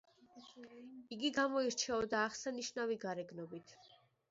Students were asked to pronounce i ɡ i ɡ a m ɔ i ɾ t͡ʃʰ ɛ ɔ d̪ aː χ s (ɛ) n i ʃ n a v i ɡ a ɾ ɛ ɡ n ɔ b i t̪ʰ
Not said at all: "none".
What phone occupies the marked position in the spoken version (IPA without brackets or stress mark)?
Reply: a